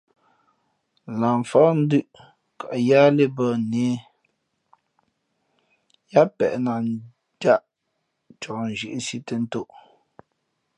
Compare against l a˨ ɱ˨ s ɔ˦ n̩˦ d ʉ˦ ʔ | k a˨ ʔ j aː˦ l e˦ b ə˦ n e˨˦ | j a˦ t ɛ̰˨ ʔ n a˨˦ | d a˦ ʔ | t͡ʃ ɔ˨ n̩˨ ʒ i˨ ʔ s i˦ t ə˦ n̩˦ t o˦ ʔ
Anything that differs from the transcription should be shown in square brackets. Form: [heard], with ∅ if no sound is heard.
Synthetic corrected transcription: l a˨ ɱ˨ [f] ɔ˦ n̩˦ d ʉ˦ ʔ | k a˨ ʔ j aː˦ l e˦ b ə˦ n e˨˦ | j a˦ [p] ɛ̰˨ ʔ n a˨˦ | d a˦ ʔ | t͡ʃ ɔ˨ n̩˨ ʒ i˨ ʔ s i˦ t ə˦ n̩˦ t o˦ ʔ